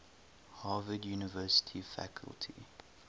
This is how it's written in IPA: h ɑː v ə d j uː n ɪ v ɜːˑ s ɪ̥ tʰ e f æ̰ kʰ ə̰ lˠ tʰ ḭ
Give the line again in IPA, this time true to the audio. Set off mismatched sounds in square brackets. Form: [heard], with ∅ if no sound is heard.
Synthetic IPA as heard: h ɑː v ə d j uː n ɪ v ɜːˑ s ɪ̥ tʰ [i] f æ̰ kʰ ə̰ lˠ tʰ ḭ